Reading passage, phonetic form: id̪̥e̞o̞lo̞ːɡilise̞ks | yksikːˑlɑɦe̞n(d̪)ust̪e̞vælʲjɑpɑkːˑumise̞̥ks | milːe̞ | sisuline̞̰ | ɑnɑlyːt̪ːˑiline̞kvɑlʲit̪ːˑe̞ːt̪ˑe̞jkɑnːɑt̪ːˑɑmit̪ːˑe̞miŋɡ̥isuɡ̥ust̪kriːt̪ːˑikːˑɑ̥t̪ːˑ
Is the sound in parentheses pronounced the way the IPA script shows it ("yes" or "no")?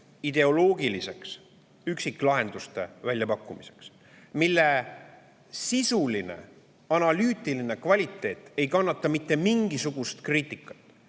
yes